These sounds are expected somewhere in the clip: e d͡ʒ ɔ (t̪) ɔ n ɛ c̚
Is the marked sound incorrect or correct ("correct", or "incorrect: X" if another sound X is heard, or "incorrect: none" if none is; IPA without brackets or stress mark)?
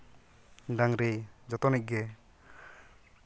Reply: correct